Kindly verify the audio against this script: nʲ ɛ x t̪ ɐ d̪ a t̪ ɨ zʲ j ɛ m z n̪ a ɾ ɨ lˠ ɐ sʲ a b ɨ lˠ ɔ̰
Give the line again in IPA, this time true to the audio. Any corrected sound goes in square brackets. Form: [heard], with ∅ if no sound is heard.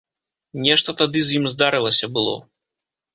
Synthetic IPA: nʲ ɛ [ʂ] t̪ ɐ [t̪] a [d̪] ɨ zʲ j [i] m z [d̪] a ɾ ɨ lˠ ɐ sʲ [ɐ] b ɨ lˠ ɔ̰